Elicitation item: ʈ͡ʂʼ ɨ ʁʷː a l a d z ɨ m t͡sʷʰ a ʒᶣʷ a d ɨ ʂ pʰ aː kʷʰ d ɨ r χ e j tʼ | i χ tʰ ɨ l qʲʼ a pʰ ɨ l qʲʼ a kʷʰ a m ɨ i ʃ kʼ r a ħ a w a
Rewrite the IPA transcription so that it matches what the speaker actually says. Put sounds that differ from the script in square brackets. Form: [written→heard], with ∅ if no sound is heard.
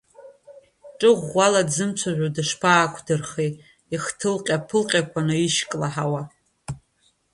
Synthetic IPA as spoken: ʈ͡ʂʼ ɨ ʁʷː a l a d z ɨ m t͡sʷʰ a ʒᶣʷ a d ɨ ʂ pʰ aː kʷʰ d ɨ r χ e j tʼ | i χ tʰ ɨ l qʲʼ a pʰ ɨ l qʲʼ a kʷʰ a [m→n] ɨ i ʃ kʼ [r→l] a ħ a w a

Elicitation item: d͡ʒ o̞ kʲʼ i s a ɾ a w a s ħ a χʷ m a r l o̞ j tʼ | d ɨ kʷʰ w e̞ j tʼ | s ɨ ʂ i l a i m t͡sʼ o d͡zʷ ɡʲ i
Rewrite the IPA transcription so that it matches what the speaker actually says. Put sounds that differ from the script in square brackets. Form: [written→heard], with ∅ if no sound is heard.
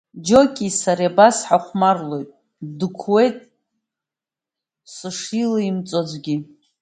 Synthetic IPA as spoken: d͡ʒ o̞ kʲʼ i s a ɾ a [w→b] a s ħ a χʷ m a r l o̞ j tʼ | d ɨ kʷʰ w e̞ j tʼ | s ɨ ʂ i l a i m t͡sʼ o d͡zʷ ɡʲ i

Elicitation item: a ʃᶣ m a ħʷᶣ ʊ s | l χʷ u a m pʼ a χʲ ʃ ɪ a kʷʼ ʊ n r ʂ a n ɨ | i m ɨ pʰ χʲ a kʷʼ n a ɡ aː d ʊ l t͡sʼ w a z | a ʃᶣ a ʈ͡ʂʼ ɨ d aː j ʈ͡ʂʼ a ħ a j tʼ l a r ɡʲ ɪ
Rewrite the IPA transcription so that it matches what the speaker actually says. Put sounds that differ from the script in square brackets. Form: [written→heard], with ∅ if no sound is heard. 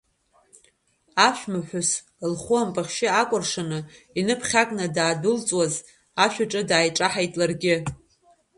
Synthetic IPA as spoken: a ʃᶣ m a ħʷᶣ ʊ s | l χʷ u a m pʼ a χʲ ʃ ɪ a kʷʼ ʊ [n→∅] r ʂ a n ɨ | i [m→n] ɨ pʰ χʲ a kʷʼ n a [ɡ→d] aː d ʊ l t͡sʼ w a z | a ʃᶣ a ʈ͡ʂʼ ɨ d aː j ʈ͡ʂʼ a ħ a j tʼ l a r ɡʲ ɪ

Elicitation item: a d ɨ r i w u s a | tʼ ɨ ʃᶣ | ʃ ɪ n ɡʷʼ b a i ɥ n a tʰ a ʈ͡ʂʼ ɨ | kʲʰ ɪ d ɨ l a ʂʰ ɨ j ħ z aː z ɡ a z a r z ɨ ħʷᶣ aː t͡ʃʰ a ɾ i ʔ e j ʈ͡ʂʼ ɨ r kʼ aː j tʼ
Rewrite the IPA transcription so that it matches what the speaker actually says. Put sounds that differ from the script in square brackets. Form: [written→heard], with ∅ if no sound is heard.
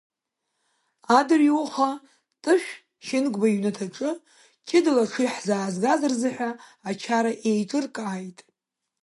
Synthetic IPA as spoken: a d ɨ r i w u [s→χ] a | tʼ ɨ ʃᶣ | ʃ ɪ n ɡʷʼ b a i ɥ n a tʰ a ʈ͡ʂʼ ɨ | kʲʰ ɪ d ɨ l a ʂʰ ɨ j ħ z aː z ɡ a z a r z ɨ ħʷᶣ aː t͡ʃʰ a ɾ [i→a] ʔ e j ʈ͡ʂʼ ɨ r kʼ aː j tʼ

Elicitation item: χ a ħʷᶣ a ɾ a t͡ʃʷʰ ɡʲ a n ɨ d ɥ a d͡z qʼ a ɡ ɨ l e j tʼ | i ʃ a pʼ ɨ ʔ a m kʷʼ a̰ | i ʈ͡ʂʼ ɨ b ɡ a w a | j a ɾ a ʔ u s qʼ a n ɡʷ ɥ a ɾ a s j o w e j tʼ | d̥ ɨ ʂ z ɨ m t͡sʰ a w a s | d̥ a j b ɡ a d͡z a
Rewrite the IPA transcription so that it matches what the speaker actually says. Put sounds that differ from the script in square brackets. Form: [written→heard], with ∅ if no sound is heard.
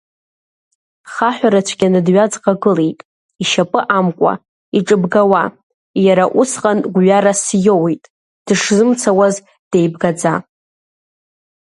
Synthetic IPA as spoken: χ a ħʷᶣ a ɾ a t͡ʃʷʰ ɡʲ a n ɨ d ɥ a d͡z qʼ a ɡ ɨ l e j tʼ | i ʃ a pʼ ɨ ʔ a m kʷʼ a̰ | i ʈ͡ʂʼ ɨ b ɡ a w a | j a ɾ a ʔ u s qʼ a n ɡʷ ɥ a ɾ a s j o w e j tʼ | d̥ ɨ ʂ z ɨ m t͡sʰ a w a [s→z] | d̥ [a→e] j b ɡ a d͡z a

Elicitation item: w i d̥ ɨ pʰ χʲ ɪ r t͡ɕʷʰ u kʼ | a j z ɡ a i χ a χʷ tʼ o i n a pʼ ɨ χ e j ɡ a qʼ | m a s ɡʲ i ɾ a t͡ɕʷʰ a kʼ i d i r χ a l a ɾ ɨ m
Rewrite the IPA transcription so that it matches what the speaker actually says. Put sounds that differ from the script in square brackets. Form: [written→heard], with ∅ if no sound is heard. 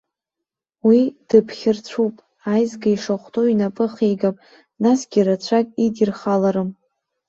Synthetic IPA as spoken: w i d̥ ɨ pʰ χʲ ɪ r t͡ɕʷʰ u [kʼ→pʼ] | a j z ɡ a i [χ→ʂ] a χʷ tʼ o i n a pʼ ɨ χ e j ɡ a [qʼ→pʼ] | [m→n] a s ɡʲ i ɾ a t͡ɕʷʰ a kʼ i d i r χ a l a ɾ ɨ m

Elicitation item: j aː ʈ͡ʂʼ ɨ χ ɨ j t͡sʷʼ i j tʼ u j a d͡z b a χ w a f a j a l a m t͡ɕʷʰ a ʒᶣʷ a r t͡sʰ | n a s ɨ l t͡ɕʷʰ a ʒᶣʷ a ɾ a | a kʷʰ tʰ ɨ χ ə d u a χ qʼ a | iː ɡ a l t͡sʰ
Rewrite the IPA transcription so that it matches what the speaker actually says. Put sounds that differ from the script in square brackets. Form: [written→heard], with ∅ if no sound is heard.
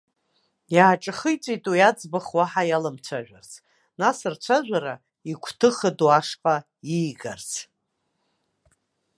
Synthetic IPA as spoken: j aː ʈ͡ʂʼ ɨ χ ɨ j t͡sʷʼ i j tʼ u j a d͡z b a χ w a [f→ħ] a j a l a m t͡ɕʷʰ a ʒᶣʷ a r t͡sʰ | n a s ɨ [l→r] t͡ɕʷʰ a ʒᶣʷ a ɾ a | [a→i] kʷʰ tʰ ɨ χ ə d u a [χ→ʂ] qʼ a | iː ɡ a [l→r] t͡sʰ

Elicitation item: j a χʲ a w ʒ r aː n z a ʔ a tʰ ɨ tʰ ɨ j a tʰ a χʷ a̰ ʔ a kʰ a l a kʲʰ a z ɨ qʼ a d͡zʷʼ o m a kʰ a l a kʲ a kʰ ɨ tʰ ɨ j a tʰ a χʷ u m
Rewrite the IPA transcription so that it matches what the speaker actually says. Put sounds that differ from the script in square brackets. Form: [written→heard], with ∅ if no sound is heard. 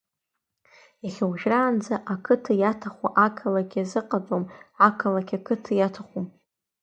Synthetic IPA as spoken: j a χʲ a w ʒ r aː n [z→d͡z] a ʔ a [tʰ→kʰ] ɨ tʰ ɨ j a tʰ a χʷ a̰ ʔ a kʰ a l a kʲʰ a z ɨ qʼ a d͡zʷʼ o m a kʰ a l a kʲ a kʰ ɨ tʰ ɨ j a tʰ a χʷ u m

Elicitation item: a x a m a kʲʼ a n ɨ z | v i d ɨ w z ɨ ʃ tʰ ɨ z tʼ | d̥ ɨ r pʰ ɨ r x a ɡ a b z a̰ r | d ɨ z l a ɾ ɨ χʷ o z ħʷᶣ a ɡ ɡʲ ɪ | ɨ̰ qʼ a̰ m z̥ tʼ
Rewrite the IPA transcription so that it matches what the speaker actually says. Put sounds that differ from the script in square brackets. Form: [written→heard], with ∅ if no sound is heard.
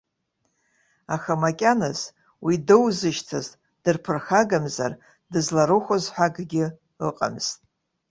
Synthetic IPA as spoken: a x a m a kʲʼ a n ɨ z | [v→w] i d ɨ w z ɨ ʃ tʰ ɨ z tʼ | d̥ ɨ r pʰ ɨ r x a ɡ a [b→m] z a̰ r | d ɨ z l a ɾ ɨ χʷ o z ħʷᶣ a ɡ ɡʲ ɪ | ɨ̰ qʼ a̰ m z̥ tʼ

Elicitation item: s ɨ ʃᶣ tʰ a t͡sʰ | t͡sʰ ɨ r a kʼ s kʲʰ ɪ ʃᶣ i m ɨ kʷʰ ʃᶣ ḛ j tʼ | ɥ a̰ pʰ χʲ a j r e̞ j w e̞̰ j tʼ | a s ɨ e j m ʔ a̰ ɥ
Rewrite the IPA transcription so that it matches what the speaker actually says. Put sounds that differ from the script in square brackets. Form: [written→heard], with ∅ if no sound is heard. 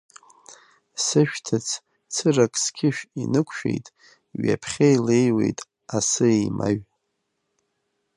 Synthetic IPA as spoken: s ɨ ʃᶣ tʰ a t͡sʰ | t͡sʰ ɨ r a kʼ s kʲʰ ɪ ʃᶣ i [m→n] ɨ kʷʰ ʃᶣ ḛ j tʼ | ɥ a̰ pʰ χʲ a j [r→l] e̞ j w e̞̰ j tʼ | a s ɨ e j m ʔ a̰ ɥ

